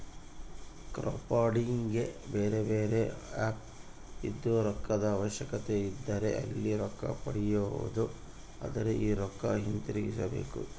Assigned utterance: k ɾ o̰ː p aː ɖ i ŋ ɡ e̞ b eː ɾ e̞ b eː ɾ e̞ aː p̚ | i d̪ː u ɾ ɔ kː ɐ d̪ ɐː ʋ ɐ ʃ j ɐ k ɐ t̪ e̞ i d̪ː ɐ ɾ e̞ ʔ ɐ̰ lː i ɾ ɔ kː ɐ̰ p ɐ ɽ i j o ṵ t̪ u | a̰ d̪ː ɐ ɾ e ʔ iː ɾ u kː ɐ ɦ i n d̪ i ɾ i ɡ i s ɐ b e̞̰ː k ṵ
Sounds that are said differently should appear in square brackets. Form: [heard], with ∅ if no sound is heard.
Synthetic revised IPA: k ɾ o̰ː p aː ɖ i ŋ ɡ e̞ b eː ɾ e̞ b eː ɾ e̞ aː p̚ | i d̪ː u ɾ ɔ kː ɐ d̪ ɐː ʋ ɐ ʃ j ɐ k ɐ t̪ e̞ i d̪ː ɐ ɾ e̞ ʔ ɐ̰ lː i ɾ ɔ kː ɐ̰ p ɐ ɽ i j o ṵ [d̪] u | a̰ [d̪] ɐ ɾ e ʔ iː ɾ [ɔ] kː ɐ ɦ i n [t̪] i ɾ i ɡ i s ɐ b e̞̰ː k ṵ